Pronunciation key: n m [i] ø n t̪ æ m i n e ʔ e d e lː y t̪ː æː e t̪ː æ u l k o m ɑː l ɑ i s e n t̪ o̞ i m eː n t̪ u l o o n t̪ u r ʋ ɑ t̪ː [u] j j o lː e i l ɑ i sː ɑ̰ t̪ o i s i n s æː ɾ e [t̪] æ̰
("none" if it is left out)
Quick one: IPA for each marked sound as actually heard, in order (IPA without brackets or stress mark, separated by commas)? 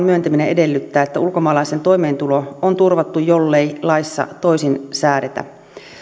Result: y, u, t̪